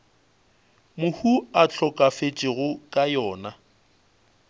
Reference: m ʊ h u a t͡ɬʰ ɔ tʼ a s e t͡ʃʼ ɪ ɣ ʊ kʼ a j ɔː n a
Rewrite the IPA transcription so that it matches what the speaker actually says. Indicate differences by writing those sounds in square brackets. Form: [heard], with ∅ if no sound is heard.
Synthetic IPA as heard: m ʊ h u a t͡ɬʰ ɔ [kʼ] a [f] e t͡ʃʼ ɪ ɣ ʊ kʼ a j ɔː n a